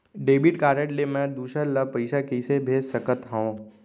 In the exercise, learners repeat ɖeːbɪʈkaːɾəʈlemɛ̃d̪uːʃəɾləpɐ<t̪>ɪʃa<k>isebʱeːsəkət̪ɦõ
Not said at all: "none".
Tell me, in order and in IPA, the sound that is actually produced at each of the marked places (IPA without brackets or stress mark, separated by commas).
none, k